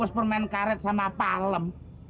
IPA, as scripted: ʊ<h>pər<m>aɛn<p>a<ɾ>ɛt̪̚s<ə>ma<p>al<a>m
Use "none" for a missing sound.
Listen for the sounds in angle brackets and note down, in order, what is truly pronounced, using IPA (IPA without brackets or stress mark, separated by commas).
s, m, k, ɾ, a, p, ə